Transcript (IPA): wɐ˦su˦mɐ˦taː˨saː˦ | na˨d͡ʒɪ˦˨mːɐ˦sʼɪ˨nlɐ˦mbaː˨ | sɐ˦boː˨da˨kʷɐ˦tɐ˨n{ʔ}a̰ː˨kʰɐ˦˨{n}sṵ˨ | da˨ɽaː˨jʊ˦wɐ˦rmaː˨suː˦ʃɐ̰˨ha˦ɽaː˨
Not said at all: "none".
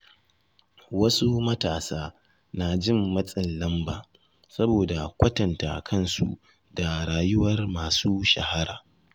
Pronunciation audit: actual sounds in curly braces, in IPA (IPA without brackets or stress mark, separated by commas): t, n